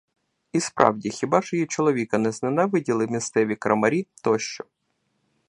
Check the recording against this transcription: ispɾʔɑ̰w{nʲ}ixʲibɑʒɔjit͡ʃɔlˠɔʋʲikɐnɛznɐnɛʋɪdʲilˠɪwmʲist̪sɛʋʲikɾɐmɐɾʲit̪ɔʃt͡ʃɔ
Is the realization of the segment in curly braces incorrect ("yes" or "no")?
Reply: yes